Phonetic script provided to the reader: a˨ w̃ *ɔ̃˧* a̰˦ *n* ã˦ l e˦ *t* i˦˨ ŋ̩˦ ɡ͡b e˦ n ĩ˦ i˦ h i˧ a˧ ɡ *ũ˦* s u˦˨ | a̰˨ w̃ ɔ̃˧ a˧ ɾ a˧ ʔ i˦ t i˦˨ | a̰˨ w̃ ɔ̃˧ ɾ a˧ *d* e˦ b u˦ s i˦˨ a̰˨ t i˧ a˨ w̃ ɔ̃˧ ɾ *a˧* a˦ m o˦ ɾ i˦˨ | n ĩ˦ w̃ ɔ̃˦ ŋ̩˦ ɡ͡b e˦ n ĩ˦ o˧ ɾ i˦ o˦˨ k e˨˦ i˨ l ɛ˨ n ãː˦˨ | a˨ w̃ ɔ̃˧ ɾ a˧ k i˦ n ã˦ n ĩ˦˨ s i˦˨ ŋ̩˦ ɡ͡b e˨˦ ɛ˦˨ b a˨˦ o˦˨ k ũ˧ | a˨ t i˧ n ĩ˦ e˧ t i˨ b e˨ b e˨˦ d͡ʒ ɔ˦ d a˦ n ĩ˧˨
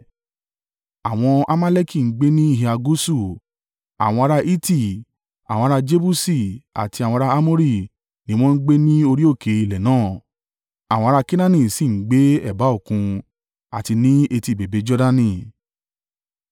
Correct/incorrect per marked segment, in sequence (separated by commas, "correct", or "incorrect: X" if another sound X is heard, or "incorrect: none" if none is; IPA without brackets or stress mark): correct, incorrect: m, incorrect: k, incorrect: u˦, incorrect: d͡ʒ, correct